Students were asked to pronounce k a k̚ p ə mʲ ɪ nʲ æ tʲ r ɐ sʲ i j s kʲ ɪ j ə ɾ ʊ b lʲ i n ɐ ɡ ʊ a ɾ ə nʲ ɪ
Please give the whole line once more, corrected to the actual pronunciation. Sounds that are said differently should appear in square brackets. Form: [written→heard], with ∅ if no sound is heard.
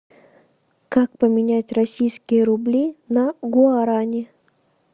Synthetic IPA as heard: k a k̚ p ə mʲ ɪ nʲ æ tʲ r ɐ sʲ i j s kʲ ɪ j ə ɾ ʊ b lʲ i n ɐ ɡ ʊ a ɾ [ə→a] nʲ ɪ